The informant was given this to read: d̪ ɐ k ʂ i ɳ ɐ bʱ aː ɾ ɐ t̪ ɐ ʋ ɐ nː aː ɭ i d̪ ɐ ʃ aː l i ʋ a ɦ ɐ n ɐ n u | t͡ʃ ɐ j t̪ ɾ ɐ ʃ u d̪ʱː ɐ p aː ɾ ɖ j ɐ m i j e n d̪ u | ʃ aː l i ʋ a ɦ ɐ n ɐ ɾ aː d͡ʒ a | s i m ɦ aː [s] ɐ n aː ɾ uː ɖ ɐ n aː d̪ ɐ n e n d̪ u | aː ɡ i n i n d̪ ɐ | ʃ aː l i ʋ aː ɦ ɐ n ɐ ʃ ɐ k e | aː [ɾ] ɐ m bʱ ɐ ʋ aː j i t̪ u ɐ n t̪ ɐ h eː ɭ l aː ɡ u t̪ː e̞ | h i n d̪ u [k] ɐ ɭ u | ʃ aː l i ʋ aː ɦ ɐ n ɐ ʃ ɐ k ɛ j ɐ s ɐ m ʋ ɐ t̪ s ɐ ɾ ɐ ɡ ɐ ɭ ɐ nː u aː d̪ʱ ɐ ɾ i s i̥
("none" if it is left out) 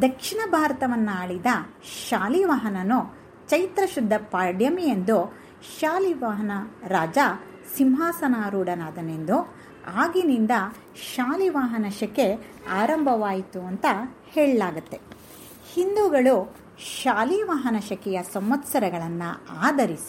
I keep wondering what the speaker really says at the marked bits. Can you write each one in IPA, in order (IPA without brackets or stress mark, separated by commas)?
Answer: s, ɾ, ɡ